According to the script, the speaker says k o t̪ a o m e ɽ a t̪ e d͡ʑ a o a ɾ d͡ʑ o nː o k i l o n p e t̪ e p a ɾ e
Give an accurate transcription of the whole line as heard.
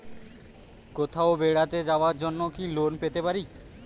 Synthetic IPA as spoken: k o t̪ʰ a o b e ɽ a t̪ e d͡ʑ a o a ɾ d͡ʑ o nː o k i l o n p e t̪ e p a ɾ i